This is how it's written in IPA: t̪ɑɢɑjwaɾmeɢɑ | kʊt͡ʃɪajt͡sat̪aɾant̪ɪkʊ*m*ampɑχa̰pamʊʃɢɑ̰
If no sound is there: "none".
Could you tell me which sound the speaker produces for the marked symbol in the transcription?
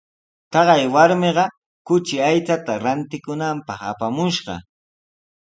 n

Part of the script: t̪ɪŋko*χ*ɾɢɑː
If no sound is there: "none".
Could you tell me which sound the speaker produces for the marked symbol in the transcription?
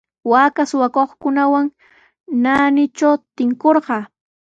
none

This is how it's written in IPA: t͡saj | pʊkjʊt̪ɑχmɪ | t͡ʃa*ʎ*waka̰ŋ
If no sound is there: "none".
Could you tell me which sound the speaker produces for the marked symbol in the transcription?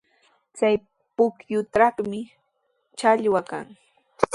ʎ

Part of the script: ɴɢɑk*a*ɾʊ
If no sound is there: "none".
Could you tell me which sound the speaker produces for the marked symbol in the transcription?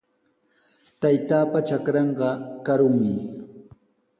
a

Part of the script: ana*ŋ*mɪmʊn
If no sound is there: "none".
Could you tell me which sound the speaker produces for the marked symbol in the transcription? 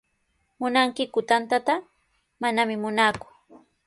none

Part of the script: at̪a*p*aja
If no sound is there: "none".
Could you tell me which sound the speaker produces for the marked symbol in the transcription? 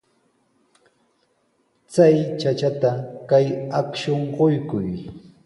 k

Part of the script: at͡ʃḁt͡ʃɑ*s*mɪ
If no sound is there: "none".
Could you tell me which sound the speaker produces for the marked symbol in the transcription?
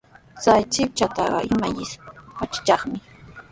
χ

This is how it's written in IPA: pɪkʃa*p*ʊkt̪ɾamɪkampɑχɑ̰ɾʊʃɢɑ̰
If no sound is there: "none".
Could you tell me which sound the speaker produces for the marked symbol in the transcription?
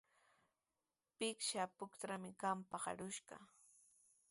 p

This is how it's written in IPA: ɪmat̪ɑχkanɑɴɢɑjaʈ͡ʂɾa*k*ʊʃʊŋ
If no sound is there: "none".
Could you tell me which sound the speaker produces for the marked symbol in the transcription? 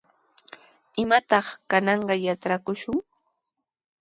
k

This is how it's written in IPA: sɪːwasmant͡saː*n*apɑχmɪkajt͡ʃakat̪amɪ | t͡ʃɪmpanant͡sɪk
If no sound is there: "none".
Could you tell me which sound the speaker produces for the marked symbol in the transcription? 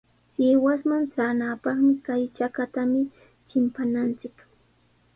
n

